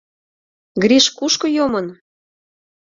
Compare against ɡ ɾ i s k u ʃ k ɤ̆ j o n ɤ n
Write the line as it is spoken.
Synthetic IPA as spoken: ɡ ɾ i ʃ k u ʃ k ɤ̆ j o m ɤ n

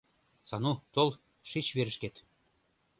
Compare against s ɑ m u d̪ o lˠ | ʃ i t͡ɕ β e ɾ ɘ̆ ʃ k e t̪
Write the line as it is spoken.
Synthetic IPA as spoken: s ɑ n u t̪ o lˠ | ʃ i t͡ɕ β e ɾ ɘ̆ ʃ k e t̪

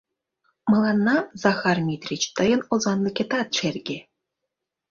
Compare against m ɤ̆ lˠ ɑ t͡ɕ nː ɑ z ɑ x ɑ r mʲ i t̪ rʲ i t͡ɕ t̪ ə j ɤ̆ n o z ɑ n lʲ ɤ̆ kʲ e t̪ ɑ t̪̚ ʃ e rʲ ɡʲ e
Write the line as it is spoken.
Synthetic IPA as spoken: m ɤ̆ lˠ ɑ nː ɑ z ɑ x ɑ r mʲ i t̪ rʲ i t͡ɕ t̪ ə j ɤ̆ n o z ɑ n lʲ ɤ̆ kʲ e t̪ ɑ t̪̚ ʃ e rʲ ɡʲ e

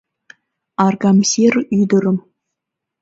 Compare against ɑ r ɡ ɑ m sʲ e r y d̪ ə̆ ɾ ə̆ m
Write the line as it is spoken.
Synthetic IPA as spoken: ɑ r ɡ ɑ m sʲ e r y d̪ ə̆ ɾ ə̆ m

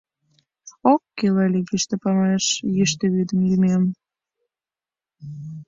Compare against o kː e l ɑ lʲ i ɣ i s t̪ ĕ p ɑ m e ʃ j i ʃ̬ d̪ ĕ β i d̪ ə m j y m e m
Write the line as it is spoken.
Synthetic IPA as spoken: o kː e l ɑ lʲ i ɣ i ʃ t̪ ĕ p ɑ m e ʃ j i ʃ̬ t̪ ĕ β y d̪ ə m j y m e m

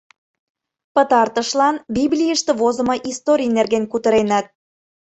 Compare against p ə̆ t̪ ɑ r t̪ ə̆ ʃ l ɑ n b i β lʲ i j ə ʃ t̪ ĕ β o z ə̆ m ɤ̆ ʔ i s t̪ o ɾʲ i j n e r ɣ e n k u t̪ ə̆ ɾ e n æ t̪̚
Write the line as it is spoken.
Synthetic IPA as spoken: p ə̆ t̪ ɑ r t̪ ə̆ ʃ l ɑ n b i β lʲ i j ə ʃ t̪ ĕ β o z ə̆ m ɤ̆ ʔ i s t̪ o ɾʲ i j n e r ɣ e n k u t̪ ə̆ ɾ e n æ t̪̚

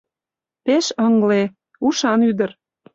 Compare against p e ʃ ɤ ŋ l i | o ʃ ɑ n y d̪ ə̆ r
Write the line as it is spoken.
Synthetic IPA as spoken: p e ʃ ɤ ŋ l e | u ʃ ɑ n y d̪ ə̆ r

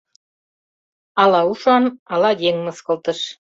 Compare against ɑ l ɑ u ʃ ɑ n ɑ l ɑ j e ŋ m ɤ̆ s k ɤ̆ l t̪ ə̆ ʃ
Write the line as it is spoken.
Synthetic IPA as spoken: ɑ l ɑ u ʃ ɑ n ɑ l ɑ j e ŋ m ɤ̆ s k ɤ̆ l t̪ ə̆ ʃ

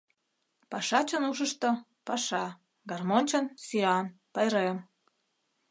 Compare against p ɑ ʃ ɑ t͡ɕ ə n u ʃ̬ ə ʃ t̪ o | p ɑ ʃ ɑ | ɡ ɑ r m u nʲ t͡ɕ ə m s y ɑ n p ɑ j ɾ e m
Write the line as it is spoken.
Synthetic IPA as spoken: p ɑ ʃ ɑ t͡ɕ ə n u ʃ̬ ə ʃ t̪ o | p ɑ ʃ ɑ | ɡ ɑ r m o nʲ t͡ɕ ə n s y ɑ n p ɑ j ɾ e m

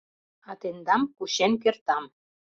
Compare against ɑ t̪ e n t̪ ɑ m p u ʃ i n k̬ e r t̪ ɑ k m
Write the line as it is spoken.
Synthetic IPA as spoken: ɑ t̪ e n d̪ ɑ m k u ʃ e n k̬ e r t̪ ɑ m

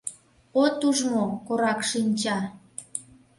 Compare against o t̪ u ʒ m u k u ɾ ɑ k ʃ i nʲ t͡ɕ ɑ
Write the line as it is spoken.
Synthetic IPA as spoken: o t̪ u ʒ m o k o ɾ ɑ k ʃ i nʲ t͡ɕ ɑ

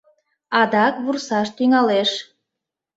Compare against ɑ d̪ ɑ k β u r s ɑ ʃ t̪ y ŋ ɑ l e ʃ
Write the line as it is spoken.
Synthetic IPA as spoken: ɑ d̪ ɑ k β u r s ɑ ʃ t̪ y ŋ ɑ l e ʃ

